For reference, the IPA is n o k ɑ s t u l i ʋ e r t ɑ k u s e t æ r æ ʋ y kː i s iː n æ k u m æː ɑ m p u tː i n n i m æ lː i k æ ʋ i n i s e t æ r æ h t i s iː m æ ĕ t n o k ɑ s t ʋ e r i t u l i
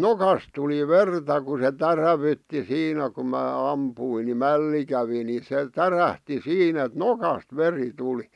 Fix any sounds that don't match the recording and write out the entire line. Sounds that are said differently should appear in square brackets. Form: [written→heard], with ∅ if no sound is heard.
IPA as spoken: n o k ɑ s t u l i ʋ e r t ɑ k u s e t æ r æ ʋ y [kː→tː] i s iː n æ k u m æː ɑ m p u [tː→∅] i n n i m æ lː i k æ ʋ i n i s e t æ r æ h t i s iː [m→n] æ ĕ t n o k ɑ s t ʋ e r i t u l i